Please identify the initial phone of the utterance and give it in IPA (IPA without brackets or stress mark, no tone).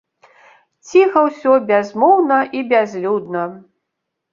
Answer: t͡sʲ